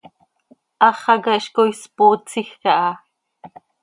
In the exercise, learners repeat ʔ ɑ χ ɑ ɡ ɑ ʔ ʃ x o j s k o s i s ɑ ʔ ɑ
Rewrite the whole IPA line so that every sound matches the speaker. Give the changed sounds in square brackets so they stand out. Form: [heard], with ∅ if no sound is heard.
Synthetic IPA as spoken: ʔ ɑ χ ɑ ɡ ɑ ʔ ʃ [k] o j s [p] o [t͡s] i [x] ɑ ʔ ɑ